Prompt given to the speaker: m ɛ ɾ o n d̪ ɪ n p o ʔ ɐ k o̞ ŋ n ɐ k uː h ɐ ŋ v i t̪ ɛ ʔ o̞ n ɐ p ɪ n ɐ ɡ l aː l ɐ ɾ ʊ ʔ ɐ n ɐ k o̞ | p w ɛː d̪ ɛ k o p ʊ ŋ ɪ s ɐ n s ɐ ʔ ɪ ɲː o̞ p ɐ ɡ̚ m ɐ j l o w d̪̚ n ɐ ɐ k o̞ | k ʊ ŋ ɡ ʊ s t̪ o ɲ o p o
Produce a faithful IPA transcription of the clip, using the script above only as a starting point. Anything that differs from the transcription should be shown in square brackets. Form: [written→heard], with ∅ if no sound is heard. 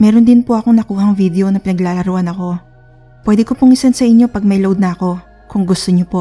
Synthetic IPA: m ɛ ɾ o n d̪ ɪ n p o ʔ ɐ k o̞ ŋ n ɐ k uː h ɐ ŋ v i [t̪→d̪] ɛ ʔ o̞ n ɐ p ɪ n ɐ ɡ l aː l ɐ ɾ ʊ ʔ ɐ n ɐ k o̞ | p w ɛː d̪ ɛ k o p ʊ ŋ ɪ s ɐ n s ɐ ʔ ɪ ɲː o̞ p ɐ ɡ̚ m ɐ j l o w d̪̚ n ɐ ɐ k o̞ | k ʊ ŋ ɡ ʊ s t̪ o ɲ o p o